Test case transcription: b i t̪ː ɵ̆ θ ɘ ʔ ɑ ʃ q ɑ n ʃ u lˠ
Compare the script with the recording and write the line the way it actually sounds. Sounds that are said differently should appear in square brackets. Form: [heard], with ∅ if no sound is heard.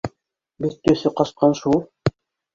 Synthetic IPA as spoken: b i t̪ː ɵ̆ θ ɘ [q] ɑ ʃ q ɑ n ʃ u lˠ